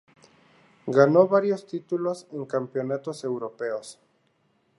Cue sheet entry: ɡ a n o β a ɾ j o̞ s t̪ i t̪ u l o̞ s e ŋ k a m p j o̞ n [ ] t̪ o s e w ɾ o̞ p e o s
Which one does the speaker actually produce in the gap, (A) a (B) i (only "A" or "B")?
A